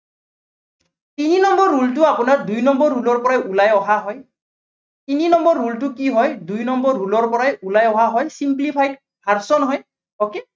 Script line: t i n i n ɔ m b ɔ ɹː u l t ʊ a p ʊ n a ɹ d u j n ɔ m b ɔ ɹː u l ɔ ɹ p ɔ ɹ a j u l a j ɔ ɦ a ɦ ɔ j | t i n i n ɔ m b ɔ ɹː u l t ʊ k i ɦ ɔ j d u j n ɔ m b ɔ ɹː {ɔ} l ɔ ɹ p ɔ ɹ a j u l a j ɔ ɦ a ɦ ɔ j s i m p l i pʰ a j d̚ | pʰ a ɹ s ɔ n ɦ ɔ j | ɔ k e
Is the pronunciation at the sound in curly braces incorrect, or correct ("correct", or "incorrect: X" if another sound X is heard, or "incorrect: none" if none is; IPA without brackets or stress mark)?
incorrect: u